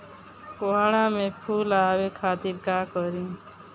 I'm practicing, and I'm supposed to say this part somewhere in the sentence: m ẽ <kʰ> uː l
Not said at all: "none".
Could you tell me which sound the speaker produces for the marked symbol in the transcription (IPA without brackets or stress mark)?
pʰ